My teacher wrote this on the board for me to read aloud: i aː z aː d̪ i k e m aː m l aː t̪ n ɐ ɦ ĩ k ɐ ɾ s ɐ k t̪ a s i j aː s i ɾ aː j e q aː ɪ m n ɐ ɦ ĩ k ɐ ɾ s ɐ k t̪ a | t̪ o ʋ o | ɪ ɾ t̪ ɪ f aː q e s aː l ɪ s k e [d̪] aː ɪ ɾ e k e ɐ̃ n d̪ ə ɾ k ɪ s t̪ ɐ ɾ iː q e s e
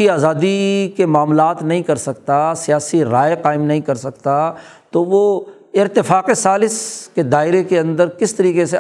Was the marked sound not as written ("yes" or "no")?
no